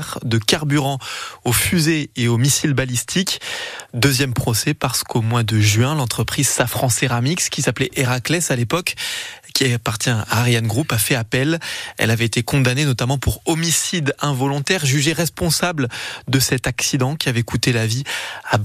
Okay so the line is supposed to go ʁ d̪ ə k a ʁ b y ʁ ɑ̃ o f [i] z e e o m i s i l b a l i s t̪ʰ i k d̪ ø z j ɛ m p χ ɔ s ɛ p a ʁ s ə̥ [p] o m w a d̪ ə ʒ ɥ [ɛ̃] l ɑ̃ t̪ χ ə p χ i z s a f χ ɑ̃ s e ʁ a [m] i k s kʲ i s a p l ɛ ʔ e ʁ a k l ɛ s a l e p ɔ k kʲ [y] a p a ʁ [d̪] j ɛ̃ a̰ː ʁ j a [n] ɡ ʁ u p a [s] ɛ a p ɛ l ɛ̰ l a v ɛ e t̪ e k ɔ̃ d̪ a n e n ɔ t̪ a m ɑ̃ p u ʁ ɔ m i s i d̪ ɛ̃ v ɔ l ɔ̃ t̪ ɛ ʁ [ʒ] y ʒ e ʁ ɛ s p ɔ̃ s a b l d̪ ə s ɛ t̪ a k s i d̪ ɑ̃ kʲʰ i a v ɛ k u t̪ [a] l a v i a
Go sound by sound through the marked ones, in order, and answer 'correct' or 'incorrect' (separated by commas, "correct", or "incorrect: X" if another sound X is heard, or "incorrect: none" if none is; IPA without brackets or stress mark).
incorrect: y, incorrect: k, correct, correct, incorrect: i, incorrect: t̪, correct, incorrect: f, correct, incorrect: e